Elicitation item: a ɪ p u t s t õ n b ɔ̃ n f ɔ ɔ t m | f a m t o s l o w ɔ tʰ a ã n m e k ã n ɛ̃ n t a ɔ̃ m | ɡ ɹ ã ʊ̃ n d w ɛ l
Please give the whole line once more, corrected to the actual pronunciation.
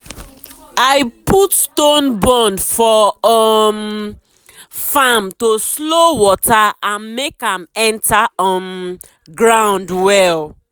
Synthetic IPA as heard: a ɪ p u t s t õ n b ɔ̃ n f ɔ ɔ m | f a m t o s l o w ɔ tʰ a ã n m e k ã m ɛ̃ n t a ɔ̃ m | ɡ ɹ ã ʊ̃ n d w ɛ l

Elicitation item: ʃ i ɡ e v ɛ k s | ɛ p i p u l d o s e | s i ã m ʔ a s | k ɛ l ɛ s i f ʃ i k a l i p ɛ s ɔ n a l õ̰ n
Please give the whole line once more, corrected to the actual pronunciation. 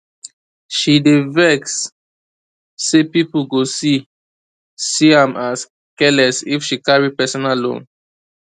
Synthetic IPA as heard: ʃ i d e v ɛ k s | e p i p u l ɡ o s i | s i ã m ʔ a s | k ɛ l ɛ s i f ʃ i k a ɹ i p ɛ s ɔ n a l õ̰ n

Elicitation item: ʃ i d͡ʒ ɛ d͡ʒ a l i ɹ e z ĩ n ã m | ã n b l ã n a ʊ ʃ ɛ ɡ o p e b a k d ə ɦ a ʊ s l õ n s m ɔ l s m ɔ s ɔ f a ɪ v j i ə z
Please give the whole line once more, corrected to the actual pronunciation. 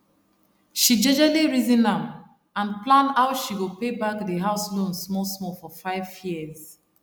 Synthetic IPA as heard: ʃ i d͡ʒ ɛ d͡ʒ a l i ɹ i z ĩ n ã m | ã n p l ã n a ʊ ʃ i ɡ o p e b a k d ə ɦ a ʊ s l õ n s m ɔ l s m ɔ f ɔ f a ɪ v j i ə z

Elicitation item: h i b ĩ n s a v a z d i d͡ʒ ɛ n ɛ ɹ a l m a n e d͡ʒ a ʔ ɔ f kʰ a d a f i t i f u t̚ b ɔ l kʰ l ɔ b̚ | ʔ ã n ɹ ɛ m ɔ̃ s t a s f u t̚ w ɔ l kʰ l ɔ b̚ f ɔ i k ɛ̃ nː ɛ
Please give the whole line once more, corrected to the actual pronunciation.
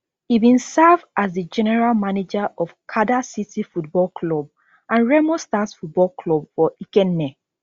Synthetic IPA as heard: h i b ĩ n s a v a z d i d͡ʒ ɛ n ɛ ɹ a l m a n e d͡ʒ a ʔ ɔ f kʰ a d a s i t i f u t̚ b ɔ l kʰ l ɔ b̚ | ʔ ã n ɹ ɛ m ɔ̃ s t a s f u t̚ b ɔ l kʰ l ɔ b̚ f ɔ i k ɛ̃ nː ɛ

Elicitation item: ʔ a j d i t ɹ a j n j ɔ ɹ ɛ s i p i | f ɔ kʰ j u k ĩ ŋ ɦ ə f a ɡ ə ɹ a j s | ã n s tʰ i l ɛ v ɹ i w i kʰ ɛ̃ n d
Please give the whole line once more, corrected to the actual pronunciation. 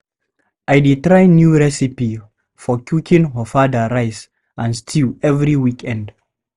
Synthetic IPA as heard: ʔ a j d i t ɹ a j n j u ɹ ɛ s i p i | f ɔ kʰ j u k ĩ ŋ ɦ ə f a d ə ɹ a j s | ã n s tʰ i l ɛ v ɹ i w i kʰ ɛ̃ n d

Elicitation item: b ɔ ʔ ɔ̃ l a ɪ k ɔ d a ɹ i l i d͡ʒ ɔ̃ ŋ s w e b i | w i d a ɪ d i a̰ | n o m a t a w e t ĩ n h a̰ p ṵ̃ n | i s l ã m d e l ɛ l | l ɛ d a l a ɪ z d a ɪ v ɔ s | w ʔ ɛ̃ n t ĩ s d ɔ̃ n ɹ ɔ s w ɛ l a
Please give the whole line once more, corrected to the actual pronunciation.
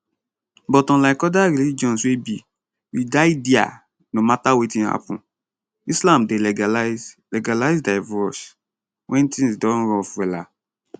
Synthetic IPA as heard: b ɔ t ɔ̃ l a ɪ k ɔ d a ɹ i l i d͡ʒ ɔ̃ n s w e b i | w i d a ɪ d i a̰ | n o m a t a w e t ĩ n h a̰ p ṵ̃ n | i s l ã m d e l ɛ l | l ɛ ɡ a l a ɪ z d a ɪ v ɔ s | w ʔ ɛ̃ n t ĩ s d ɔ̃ n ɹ ɔ f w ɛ l a

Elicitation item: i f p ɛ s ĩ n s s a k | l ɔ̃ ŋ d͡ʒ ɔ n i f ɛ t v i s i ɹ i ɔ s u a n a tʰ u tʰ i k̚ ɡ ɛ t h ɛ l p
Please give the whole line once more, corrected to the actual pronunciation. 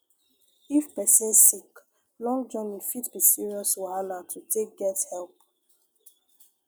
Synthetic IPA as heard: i f p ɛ s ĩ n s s i k | l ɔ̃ ŋ d͡ʒ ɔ n i f i t b i s i ɹ i ɔ s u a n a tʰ u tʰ e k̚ ɡ ɛ t h ɛ l p

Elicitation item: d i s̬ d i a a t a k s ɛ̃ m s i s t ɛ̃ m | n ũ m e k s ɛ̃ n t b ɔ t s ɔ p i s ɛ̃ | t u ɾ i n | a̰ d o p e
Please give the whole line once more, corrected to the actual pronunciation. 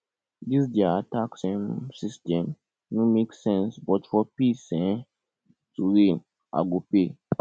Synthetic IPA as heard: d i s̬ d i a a t a k s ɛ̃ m s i s t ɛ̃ m | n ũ m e k s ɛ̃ n s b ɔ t f ɔ p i s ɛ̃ | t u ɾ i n | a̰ ɡ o p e

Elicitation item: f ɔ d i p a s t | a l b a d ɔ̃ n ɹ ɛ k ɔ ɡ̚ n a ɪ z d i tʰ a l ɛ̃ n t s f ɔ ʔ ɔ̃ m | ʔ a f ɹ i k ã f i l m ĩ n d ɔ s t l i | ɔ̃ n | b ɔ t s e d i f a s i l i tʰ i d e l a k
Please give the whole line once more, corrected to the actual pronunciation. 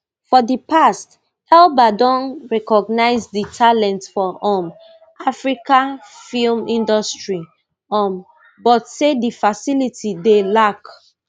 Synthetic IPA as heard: f ɔ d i p a s t | ɛ l b a d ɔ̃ n ɹ ɛ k ɔ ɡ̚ n a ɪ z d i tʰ a l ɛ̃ n t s f ɔ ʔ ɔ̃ m | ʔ a f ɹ i k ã f i l m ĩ n d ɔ s t ɹ i | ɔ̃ m | b ɔ t s e d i f a s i l i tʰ i d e l a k

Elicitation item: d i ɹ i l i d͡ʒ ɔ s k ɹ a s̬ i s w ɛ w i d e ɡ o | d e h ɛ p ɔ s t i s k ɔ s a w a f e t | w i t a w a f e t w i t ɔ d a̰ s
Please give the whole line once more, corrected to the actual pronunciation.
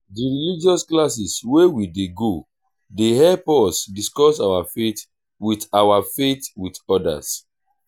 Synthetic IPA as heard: d i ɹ i l i d͡ʒ ɔ s k l a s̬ i s w e w i d e ɡ o | d e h ɛ p ɔ s d i s k ɔ s a w a f e t | w i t a w a f e t w i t ɔ d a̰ s

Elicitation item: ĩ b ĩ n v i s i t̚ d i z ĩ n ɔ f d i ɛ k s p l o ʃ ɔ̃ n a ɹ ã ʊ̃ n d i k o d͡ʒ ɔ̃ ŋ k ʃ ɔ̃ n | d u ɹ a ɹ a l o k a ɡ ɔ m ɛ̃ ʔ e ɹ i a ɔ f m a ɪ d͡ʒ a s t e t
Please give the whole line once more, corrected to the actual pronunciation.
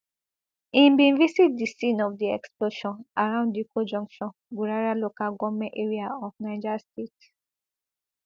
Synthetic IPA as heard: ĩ b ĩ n v i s i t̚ d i s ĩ n ɔ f d i ɛ k s p l o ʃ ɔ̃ n a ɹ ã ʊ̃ n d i k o d͡ʒ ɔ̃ ŋ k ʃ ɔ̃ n | ɡ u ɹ a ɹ a l o k a ɡ ɔ m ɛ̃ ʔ e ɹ i a ɔ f n a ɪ d͡ʒ a s t e t

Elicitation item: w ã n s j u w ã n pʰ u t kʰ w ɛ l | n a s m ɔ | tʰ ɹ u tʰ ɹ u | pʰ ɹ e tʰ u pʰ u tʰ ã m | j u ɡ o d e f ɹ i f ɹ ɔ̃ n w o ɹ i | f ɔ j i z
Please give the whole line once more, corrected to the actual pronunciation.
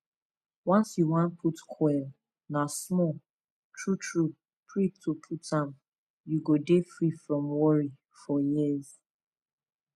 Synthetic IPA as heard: w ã n s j u w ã n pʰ u t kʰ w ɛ l | n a s m ɔ | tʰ ɹ u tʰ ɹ u | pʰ ɹ i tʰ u pʰ u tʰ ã m | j u ɡ o d e f ɹ i f ɹ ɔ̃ m w ɔ ɹ i | f ɔ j i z

